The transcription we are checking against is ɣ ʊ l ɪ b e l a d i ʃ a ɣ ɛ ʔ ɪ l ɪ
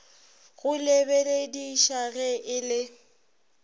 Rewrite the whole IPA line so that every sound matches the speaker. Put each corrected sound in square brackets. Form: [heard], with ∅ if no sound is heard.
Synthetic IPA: ɣ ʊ l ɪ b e l [e] d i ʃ a ɣ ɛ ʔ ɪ l ɪ